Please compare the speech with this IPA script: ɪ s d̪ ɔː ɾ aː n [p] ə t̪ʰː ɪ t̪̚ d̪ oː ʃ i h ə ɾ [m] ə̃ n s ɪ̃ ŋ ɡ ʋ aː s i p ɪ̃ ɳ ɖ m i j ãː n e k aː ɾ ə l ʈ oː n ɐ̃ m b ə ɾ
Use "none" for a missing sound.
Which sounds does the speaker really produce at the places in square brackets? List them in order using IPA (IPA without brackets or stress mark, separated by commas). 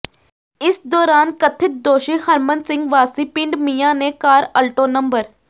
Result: k, m